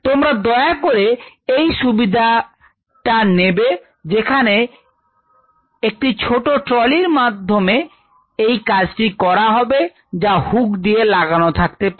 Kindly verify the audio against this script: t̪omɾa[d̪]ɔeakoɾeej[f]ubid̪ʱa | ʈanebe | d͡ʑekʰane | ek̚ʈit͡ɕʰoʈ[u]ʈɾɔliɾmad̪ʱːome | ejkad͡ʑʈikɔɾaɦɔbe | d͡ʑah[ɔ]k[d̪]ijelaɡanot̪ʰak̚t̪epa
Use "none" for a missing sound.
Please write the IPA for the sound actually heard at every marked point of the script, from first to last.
d̪, ʃ, o, u, d̪

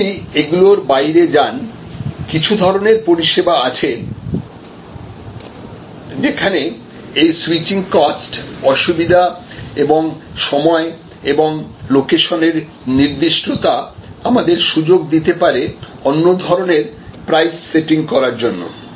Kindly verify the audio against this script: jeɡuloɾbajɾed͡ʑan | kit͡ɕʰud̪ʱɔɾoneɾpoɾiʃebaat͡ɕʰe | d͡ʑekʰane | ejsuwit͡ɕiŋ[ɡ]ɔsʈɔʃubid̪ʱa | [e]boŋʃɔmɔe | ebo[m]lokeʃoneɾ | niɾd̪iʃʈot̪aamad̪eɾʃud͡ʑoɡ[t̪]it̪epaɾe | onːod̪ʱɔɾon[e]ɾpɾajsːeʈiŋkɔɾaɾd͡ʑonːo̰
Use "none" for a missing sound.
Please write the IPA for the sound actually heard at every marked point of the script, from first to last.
k, e, ŋ, d̪, e

